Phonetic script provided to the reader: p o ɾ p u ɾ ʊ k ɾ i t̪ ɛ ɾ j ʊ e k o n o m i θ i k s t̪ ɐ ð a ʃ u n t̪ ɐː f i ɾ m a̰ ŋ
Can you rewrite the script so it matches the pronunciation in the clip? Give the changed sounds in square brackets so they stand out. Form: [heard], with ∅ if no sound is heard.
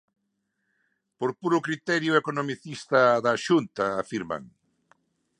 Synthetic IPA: p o ɾ p u ɾ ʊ k ɾ i t̪ ɛ ɾ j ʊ e k o n o m i θ i [∅] s t̪ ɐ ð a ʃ u n t̪ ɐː f i ɾ m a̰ ŋ